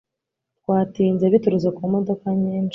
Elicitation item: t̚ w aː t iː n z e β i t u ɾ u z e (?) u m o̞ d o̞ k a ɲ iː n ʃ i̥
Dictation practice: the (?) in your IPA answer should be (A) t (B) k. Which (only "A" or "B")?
B